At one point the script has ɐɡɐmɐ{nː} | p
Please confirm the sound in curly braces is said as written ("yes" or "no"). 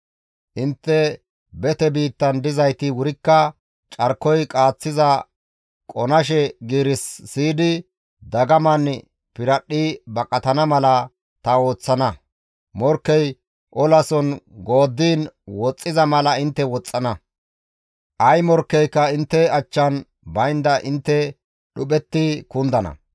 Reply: no